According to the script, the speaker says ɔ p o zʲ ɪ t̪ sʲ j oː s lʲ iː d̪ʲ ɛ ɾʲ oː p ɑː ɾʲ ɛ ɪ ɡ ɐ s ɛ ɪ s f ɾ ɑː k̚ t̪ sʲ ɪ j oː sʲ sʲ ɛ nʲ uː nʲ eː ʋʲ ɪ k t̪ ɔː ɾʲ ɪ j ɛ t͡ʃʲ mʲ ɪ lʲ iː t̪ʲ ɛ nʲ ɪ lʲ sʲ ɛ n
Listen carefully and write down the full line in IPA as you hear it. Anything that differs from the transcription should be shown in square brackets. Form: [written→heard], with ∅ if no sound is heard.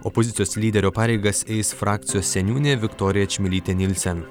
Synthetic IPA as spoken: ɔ p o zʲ ɪ t̪ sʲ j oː s lʲ iː d̪ʲ ɛ ɾʲ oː p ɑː ɾʲ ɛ ɪ ɡ ɐ s ɛ ɪ s f ɾ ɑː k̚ t̪ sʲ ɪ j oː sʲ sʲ ɛ nʲ uː nʲ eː ʋʲ ɪ k t̪ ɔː ɾʲ ɪ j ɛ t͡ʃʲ mʲ ɪ lʲ iː t̪ʲ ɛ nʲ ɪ lʲ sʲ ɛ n